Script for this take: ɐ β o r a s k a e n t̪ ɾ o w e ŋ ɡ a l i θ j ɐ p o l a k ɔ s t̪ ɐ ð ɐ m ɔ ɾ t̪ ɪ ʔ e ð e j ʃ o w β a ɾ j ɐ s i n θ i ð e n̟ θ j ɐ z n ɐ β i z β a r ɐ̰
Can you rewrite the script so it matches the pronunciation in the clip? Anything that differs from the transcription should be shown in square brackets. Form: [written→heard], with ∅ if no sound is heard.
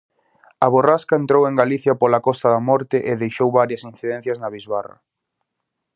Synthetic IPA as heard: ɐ β o r a s k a e n t̪ ɾ o w e ŋ ɡ a l i θ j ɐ p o l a k ɔ s t̪ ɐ ð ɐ m ɔ ɾ t̪ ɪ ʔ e ð e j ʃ o w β a ɾ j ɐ s i n θ i ð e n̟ θ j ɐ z n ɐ β i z β a r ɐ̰